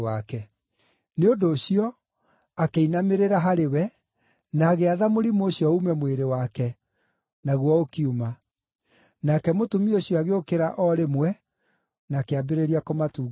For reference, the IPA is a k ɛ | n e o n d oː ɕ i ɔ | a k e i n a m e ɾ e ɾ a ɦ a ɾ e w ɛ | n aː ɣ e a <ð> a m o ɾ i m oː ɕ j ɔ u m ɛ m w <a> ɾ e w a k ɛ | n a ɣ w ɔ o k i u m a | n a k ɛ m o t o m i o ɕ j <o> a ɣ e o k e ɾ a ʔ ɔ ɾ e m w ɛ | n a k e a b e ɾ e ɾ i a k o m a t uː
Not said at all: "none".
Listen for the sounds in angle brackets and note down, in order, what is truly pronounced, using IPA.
ð, e, ɔ

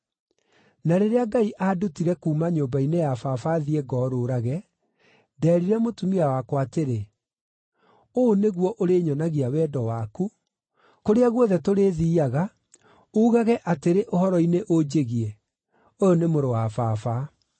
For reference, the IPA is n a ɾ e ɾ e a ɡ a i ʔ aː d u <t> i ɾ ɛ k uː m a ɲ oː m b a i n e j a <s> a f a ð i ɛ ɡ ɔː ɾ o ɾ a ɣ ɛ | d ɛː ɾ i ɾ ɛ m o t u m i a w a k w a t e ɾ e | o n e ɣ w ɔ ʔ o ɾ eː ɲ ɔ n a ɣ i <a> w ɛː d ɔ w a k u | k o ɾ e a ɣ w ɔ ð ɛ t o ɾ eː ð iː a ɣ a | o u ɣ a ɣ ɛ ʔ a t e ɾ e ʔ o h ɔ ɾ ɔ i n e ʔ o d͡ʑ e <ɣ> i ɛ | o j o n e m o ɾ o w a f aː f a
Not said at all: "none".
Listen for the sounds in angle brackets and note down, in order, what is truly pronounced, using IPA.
t, f, a, ɣ

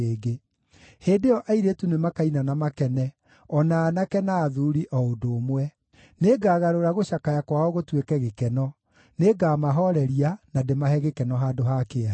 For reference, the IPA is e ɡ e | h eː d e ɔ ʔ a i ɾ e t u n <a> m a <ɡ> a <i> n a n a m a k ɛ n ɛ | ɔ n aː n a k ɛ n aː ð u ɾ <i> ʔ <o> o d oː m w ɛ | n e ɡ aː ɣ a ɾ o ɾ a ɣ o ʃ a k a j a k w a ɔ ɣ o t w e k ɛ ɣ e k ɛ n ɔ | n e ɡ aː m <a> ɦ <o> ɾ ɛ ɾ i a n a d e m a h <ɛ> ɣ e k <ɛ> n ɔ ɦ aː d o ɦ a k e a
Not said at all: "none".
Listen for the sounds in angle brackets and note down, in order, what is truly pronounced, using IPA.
e, k, i, i, ɔ, a, ɔ, ɛ, ɛ

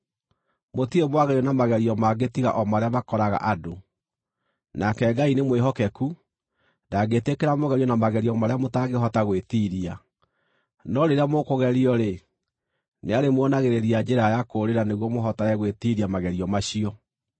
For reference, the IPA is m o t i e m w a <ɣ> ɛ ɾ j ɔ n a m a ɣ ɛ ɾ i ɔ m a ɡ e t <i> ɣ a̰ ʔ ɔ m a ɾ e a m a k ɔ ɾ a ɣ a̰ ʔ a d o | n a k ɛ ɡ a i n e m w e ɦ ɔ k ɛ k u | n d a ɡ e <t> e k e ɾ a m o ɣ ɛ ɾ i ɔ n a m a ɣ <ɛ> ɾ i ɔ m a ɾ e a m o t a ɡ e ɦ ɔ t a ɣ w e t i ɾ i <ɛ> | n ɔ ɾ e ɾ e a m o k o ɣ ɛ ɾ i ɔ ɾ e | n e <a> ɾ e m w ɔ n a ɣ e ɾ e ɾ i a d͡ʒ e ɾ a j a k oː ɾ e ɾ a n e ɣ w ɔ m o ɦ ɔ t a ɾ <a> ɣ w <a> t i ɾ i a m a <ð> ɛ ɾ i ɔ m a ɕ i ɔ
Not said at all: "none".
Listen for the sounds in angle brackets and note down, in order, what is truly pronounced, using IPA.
ɣ, i, t, ɛ, a, a, ɛ, e, ɣ

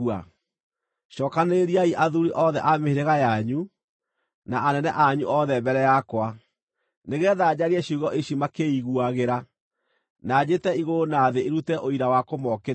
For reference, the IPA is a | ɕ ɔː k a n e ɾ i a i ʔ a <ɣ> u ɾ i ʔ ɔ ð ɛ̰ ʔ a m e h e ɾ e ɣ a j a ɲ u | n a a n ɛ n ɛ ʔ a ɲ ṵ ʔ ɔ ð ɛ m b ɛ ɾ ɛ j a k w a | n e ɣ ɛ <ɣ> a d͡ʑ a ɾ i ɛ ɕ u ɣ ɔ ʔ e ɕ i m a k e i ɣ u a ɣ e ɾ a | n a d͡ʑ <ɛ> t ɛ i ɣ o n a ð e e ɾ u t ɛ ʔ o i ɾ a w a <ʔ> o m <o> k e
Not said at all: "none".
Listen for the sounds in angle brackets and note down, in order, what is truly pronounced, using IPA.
ð, ð, e, k, ɔ

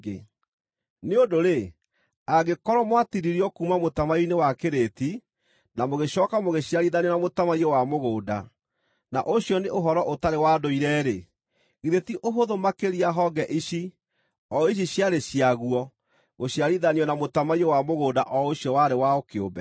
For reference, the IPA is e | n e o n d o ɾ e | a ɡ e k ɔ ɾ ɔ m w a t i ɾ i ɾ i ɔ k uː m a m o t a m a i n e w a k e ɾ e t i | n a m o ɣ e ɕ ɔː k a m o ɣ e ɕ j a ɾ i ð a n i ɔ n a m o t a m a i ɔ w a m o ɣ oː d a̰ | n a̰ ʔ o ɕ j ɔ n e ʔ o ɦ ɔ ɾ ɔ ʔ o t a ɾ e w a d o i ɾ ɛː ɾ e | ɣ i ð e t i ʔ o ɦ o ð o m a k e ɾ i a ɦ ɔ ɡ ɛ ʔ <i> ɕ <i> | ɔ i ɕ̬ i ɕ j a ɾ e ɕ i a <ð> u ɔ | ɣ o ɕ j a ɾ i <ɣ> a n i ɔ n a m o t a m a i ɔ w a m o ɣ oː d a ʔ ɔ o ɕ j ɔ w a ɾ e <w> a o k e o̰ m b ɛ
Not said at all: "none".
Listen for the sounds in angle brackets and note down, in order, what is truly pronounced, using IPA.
i, i, ɣ, ð, w

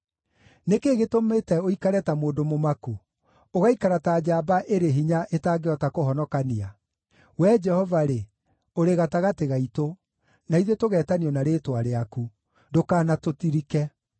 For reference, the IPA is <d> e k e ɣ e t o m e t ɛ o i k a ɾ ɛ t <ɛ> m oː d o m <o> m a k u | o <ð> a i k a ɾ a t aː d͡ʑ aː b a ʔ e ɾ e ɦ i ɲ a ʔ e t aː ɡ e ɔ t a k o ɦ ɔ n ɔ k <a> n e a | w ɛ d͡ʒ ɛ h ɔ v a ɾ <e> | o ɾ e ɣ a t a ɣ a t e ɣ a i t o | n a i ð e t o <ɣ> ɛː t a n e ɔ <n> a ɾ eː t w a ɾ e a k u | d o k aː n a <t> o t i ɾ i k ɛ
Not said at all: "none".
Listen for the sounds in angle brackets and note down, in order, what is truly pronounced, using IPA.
n, a, o, ɣ, a, e, ɣ, n, t

